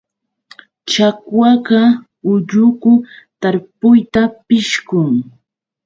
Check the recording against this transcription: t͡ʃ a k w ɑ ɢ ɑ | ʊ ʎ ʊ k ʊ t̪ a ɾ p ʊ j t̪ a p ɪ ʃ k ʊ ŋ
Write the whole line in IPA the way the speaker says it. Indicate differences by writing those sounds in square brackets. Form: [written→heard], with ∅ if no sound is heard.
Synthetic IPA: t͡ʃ a k w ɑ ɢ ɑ | ʊ ʎ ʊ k ʊ t̪ a ɾ p ʊ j t̪ a p ɪ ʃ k ʊ ŋ